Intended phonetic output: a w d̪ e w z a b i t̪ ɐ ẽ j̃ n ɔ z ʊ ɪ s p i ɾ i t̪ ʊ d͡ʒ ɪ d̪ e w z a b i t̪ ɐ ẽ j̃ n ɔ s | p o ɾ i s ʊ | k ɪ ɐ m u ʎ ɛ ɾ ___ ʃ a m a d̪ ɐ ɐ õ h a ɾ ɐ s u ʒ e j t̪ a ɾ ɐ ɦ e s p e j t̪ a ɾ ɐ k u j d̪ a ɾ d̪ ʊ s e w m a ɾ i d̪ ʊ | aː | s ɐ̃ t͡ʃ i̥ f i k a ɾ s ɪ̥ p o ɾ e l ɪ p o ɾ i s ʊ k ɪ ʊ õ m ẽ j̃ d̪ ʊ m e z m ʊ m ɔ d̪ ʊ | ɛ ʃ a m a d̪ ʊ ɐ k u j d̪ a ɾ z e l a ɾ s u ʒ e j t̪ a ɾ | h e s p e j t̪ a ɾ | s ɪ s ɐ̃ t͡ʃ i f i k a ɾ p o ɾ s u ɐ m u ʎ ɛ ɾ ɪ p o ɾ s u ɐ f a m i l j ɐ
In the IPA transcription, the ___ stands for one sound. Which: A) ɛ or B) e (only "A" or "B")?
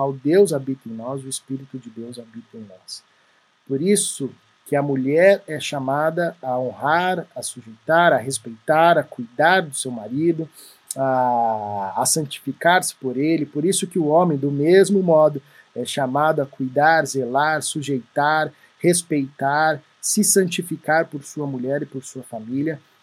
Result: A